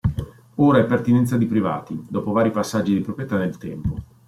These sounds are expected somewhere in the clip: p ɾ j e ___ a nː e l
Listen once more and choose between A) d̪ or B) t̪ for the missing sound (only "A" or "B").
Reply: B